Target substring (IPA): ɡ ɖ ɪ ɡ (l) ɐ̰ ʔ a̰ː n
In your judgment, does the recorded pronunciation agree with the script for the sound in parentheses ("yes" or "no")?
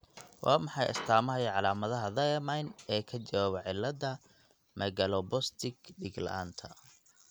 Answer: yes